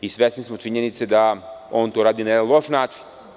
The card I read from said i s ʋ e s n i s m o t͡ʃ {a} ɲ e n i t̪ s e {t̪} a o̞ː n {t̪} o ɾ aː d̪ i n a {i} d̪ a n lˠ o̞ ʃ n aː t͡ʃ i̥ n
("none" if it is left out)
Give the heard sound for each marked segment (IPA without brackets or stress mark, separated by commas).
i, d̪, t̪, e